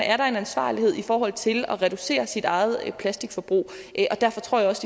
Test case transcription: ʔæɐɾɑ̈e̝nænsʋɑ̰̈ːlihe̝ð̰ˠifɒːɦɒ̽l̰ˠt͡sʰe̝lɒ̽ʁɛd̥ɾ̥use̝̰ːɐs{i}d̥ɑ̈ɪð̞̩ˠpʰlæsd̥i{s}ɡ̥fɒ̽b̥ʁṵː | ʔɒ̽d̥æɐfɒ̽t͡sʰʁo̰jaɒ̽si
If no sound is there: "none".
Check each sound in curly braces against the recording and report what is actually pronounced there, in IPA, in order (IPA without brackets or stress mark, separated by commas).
i, none